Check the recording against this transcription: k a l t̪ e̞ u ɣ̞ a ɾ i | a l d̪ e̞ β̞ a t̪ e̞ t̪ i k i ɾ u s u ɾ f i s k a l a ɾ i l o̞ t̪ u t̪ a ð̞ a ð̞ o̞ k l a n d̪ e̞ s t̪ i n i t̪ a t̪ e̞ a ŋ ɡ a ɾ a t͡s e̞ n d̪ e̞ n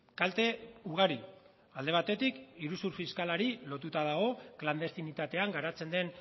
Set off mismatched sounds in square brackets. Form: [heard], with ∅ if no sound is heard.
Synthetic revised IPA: k a l t̪ e̞ u ɣ̞ a ɾ i | a l d̪ e̞ β̞ a t̪ e̞ t̪ i k i ɾ u s u ɾ f i s k a l a ɾ i l o̞ t̪ u t̪ a ð̞ a [ɣ̞] o̞ k l a n d̪ e̞ s t̪ i n i t̪ a t̪ e̞ a ŋ ɡ a ɾ a t͡s e̞ n d̪ e̞ n